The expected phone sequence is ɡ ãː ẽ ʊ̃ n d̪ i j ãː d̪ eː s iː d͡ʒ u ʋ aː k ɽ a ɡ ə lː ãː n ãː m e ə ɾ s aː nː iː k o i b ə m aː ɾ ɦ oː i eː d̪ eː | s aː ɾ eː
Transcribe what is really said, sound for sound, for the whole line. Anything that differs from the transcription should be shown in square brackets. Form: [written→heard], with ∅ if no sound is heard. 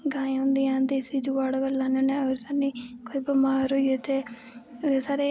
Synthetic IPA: ɡ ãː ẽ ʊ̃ n d̪ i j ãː d̪ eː s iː d͡ʒ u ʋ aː [k→∅] ɽ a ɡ ə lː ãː n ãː [m→n] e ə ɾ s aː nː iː k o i b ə m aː ɾ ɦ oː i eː [d̪→t̪] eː | s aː ɾ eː